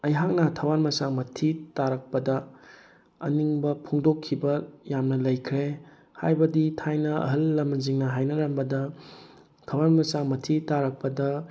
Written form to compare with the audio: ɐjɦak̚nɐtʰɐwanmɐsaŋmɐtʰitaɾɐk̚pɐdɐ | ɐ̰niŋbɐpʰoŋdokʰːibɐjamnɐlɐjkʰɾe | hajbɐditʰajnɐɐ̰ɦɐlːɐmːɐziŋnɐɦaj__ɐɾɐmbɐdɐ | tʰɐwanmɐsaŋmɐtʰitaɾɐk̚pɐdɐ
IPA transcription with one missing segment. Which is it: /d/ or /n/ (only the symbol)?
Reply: n